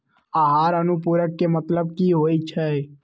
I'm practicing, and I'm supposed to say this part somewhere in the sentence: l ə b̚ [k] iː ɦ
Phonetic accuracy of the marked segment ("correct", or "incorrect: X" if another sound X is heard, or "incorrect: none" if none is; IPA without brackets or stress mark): correct